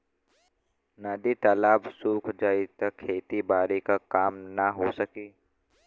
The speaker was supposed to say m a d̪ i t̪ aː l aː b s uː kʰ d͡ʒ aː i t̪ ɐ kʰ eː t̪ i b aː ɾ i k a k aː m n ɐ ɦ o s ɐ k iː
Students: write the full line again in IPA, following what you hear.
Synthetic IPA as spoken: n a d̪ i t̪ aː l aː b s uː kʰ d͡ʒ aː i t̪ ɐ kʰ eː t̪ i b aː ɾ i k a k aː m n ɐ ɦ o s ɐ k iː